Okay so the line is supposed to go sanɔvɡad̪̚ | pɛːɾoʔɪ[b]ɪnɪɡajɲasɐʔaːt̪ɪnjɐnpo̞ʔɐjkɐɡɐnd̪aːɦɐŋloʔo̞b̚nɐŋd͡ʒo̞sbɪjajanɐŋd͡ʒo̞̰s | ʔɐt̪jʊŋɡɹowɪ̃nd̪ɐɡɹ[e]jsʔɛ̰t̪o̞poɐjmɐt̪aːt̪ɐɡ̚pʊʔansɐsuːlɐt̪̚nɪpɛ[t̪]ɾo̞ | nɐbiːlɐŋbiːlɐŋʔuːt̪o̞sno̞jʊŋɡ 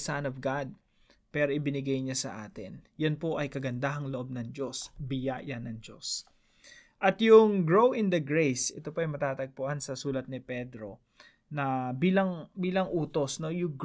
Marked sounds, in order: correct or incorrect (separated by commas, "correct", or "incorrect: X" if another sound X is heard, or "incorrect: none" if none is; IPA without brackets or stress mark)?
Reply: correct, correct, incorrect: d̪